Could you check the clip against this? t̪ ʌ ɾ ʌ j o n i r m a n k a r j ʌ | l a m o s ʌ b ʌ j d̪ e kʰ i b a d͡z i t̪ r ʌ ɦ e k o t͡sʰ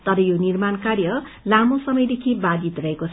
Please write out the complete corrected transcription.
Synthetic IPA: t̪ ʌ ɾ ʌ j o n i r m a n k a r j ʌ | l a m o s ʌ m ʌ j d̪ e kʰ i b a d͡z i t̪ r ʌ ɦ e k o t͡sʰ